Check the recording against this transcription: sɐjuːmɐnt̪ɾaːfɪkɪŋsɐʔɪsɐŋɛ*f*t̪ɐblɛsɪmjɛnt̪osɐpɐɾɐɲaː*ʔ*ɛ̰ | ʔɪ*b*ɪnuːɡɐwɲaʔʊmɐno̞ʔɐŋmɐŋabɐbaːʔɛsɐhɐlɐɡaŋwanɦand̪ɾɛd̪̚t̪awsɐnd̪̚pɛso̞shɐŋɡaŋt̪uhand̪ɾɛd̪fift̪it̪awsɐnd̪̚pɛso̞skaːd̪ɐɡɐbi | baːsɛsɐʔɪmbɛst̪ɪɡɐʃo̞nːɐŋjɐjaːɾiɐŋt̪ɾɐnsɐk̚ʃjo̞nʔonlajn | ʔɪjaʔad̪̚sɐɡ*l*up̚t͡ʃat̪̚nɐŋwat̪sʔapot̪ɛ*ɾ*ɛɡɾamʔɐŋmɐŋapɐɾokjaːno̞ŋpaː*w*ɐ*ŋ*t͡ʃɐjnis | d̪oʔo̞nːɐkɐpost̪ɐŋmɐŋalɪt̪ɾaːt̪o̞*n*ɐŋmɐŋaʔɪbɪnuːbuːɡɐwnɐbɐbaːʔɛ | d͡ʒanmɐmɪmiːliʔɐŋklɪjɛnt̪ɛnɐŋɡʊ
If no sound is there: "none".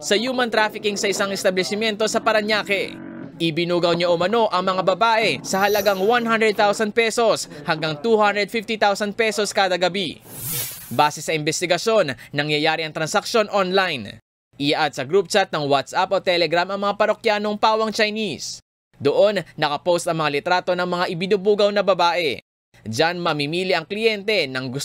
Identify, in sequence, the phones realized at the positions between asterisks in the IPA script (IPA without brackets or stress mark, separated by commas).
s, k, b, ɾ, l, w, ŋ, n